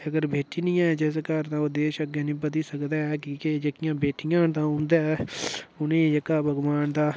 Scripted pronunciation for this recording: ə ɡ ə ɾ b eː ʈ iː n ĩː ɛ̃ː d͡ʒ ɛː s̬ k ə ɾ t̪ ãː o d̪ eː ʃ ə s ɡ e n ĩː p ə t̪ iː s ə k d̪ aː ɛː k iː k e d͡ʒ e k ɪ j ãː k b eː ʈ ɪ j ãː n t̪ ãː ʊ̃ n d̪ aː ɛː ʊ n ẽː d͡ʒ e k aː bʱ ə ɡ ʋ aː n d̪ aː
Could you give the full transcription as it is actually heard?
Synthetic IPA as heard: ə ɡ ə ɾ b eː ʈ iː n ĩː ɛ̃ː d͡ʒ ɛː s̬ k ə ɾ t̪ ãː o d̪ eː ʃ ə ɡ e n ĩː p ə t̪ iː s ə k d̪ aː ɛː k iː k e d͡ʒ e k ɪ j ãː b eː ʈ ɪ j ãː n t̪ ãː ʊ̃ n d̪ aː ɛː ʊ n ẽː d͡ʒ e k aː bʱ ə ɡ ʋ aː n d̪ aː